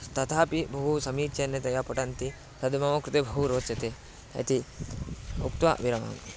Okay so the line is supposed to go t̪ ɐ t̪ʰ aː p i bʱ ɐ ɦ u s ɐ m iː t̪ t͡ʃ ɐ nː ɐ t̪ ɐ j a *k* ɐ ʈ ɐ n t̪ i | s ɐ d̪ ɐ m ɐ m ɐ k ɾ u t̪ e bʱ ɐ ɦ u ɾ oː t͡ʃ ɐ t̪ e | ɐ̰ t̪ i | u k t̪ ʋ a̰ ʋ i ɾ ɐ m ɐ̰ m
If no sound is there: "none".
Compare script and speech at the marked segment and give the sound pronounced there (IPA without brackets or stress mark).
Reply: p